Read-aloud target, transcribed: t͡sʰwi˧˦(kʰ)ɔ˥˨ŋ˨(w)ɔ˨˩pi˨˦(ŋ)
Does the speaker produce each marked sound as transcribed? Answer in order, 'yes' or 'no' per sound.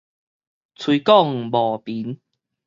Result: no, no, no

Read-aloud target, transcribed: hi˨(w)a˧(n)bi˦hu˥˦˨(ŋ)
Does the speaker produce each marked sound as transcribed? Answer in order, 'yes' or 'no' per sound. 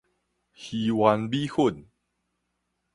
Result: yes, yes, no

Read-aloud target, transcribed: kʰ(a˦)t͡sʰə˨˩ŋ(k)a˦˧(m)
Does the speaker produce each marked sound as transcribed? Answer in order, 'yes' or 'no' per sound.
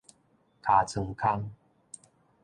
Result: no, no, no

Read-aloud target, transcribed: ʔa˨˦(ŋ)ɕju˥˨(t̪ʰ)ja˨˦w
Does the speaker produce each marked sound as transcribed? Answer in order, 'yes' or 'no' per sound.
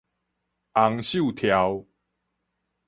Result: yes, yes

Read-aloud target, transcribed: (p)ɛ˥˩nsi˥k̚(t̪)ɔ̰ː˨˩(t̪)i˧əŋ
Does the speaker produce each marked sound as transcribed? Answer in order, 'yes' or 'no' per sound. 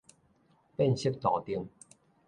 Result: yes, yes, yes

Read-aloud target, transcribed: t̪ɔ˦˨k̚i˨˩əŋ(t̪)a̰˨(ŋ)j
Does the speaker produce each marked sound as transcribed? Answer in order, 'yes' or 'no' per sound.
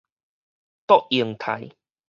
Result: no, no

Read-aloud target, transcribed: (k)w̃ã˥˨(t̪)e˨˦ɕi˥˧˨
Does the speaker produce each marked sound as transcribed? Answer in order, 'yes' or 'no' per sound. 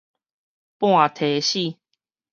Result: no, no

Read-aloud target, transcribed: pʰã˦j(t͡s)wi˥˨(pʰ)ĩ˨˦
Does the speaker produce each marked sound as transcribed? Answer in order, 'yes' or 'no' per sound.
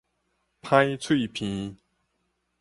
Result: no, yes

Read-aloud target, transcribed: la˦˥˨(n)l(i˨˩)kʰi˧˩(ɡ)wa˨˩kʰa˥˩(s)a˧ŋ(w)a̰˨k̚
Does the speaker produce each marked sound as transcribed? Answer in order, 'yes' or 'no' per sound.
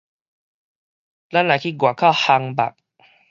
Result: yes, no, yes, no, no

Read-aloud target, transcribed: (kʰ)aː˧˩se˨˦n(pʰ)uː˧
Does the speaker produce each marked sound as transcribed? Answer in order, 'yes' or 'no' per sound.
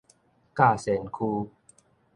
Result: no, no

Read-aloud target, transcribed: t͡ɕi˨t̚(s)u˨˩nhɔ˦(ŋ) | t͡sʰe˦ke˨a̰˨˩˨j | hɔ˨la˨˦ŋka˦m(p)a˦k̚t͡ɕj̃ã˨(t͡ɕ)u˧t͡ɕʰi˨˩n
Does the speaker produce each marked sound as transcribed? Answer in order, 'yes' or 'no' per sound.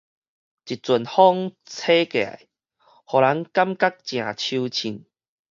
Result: no, yes, no, no

